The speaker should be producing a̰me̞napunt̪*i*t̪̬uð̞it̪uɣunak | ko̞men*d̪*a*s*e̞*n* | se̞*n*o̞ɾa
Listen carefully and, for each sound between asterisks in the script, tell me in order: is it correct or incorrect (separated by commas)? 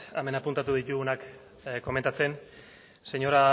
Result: incorrect, incorrect, incorrect, correct, incorrect